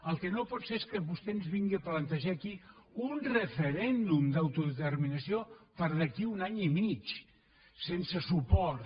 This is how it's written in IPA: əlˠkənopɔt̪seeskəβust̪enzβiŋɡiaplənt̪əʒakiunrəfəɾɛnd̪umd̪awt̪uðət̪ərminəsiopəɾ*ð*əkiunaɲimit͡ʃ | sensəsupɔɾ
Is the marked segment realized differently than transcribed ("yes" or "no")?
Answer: no